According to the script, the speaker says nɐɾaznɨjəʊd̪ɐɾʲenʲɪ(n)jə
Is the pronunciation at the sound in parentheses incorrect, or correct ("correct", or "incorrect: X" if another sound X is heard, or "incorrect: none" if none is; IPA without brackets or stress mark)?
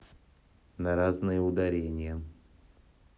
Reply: incorrect: none